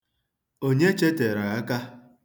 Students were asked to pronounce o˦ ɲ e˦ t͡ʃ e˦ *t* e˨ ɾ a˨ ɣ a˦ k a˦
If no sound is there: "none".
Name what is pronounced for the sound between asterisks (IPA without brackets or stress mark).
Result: t